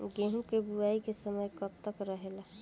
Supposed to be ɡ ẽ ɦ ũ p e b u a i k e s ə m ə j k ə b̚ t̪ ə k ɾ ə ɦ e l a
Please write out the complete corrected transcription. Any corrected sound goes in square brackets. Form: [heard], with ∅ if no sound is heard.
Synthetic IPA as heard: ɡ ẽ ɦ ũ [k] e b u a i k e s ə m ə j k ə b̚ t̪ ə k ɾ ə ɦ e l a